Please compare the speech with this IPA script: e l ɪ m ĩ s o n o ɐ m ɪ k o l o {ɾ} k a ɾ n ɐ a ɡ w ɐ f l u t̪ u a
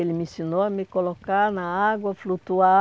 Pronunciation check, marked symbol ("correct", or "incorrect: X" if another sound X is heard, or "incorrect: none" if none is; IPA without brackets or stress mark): incorrect: none